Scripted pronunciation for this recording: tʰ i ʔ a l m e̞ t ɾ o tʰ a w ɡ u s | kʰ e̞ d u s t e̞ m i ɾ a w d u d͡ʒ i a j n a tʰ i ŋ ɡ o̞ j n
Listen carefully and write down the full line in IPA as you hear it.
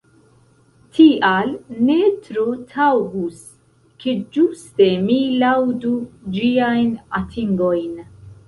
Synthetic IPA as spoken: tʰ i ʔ a l n e̞ t ɾ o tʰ a w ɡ u s | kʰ e̞ d͡ʒ u s t e̞ m i l a w d u d͡ʒ i a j n a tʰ i ŋ ɡ o̞ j n

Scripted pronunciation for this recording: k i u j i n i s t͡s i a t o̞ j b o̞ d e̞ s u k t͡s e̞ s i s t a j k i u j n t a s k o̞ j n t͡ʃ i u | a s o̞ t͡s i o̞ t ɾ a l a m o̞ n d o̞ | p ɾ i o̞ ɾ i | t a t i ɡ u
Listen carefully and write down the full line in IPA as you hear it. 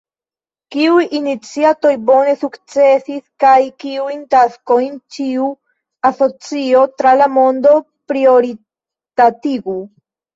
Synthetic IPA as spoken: k i u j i n i t͡s i a t o̞ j b o̞ n e̞ s u k t͡s e̞ s i s k a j k i u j n t a s k o̞ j n t͡ʃ i u | a s o̞ t͡s i o̞ t ɾ a l a m o̞ n d o̞ | p ɾ i o̞ ɾ i | t a t i ɡ u

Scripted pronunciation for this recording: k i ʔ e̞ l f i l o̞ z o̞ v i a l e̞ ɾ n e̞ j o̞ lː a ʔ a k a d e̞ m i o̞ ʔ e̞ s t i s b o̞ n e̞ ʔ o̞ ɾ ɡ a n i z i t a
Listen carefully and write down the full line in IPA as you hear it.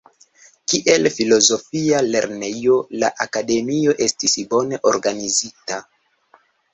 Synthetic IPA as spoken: k i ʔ e̞ l f i l o̞ z o̞ f i a l e̞ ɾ n e̞ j o̞ l a ʔ a k a d e̞ m i o̞ ʔ e̞ s t i s b o̞ n e̞ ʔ o̞ ɾ ɡ a n i z i t a

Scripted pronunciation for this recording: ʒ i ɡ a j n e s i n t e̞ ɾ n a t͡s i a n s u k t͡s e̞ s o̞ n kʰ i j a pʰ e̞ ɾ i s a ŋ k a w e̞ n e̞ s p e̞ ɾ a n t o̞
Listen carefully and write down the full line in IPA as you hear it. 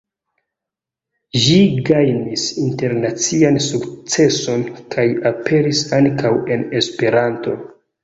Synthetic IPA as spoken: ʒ i ɡ a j n i s i n t e̞ ɾ n a t͡s i a n s u k t͡s e̞ s o̞ n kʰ a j a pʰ e̞ ɾ i s a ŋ k a w e̞ n e̞ s p e̞ ɾ a n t o̞

